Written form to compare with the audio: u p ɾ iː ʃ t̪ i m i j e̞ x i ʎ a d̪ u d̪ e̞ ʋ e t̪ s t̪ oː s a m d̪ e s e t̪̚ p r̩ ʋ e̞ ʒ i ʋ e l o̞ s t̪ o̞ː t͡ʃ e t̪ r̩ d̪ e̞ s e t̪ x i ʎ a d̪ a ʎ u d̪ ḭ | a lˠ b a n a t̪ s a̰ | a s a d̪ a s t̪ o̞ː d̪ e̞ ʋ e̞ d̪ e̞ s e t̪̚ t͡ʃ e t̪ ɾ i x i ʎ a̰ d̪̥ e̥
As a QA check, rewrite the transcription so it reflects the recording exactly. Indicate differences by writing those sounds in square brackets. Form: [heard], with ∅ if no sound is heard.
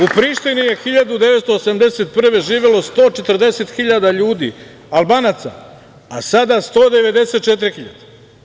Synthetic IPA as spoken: u p ɾ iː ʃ t̪ i [n] i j e̞ x i ʎ a d̪ u d̪ e̞ ʋ e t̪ s t̪ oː s a m d̪ e s e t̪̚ p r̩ ʋ e̞ ʒ [iː] ʋ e l o̞ s t̪ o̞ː t͡ʃ e t̪ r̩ d̪ e̞ s e t̪ x i ʎ a d̪ a ʎ [uː] d̪ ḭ | a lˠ b a n a t̪ s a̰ | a s a d̪ a s t̪ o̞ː d̪ e̞ ʋ e̞ d̪ e̞ s e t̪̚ t͡ʃ e t̪ ɾ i x i ʎ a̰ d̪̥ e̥